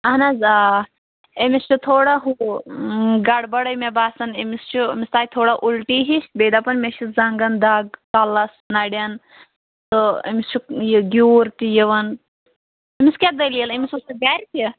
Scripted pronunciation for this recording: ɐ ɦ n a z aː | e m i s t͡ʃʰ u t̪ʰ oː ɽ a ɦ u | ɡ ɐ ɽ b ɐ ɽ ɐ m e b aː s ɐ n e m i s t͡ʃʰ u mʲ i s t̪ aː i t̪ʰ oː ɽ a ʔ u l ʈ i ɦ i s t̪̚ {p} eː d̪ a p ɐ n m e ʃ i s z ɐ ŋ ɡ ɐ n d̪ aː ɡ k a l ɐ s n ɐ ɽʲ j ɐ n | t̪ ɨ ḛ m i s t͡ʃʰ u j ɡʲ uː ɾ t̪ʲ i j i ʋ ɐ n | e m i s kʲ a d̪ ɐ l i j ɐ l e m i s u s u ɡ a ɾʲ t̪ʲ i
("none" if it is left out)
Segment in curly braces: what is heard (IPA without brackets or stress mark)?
b